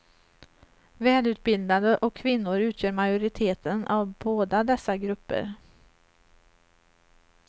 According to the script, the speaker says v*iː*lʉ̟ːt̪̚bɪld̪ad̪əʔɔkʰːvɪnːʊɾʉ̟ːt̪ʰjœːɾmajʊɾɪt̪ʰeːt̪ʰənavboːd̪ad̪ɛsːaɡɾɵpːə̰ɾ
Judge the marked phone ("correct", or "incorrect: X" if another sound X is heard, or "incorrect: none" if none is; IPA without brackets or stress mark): incorrect: ɛː